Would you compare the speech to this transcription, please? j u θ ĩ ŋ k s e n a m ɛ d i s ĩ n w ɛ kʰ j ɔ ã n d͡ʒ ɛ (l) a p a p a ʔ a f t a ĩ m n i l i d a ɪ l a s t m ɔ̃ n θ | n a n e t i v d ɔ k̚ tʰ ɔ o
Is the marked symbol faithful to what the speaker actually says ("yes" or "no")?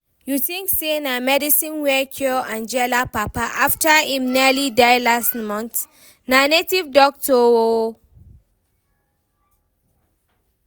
yes